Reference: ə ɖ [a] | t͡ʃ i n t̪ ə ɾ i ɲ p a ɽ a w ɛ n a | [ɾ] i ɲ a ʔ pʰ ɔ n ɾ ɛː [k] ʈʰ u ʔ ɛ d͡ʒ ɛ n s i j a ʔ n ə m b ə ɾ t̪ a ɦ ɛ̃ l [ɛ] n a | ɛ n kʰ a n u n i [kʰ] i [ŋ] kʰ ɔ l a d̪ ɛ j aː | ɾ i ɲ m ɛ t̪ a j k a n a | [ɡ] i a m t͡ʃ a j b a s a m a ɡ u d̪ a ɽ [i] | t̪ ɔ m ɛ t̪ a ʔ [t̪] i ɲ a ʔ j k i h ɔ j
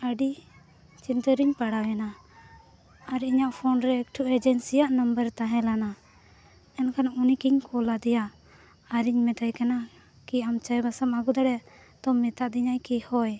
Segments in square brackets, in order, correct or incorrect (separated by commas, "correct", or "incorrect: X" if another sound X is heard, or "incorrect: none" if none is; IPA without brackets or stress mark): incorrect: i, correct, correct, incorrect: a, incorrect: k, incorrect: ɲ, incorrect: k, incorrect: ɛ, incorrect: d̪